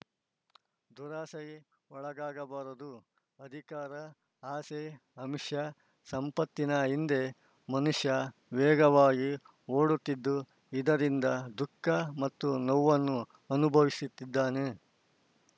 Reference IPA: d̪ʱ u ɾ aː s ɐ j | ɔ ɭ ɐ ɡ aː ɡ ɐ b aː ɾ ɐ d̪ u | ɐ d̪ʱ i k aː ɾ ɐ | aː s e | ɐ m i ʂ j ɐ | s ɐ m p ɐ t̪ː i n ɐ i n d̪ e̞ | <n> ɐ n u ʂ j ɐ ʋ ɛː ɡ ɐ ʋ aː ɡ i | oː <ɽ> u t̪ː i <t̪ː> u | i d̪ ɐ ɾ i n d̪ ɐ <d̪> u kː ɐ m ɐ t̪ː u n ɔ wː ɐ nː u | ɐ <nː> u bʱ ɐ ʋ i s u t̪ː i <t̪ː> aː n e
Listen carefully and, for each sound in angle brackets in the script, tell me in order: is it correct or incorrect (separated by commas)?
incorrect, correct, incorrect, correct, incorrect, incorrect